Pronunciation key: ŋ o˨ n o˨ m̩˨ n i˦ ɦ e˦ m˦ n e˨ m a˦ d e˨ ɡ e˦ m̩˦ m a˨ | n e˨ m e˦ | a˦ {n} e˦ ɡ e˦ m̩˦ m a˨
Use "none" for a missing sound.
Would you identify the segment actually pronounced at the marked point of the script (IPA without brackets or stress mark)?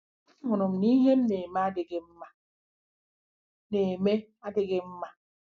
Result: d